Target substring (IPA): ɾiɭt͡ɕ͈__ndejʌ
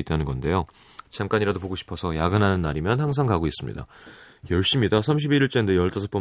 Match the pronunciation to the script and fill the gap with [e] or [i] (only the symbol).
e